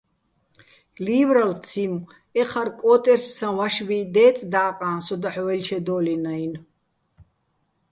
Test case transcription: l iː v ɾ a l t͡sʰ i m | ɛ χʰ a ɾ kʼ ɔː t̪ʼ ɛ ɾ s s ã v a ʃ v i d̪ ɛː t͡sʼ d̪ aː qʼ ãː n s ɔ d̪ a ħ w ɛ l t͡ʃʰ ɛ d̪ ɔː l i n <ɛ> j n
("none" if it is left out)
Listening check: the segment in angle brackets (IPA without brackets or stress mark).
a